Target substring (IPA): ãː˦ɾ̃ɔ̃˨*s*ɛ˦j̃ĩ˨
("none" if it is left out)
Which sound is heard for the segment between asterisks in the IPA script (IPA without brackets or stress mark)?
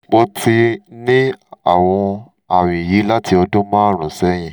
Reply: s